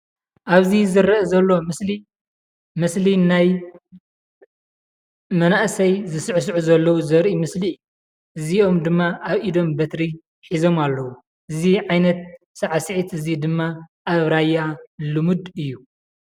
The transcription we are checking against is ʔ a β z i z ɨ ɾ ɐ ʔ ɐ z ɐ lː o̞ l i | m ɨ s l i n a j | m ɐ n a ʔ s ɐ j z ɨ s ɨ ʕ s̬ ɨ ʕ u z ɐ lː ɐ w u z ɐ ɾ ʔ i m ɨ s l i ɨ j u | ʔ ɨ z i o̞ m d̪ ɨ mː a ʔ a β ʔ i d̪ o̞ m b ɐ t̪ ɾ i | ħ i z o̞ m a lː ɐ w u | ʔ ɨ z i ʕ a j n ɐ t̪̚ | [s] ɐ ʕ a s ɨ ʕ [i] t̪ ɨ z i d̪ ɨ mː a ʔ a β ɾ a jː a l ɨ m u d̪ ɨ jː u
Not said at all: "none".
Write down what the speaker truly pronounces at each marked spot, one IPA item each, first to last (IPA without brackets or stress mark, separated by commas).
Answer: s, i